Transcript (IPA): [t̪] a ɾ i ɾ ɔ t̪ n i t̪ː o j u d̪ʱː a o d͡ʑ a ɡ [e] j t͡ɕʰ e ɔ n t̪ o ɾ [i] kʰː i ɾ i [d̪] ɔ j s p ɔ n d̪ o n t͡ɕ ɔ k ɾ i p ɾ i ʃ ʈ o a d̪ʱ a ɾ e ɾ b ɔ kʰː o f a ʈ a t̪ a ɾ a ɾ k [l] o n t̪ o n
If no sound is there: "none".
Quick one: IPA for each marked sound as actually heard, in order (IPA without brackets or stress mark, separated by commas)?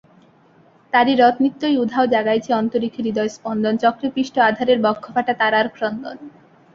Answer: t̪, a, i, d̪, ɾ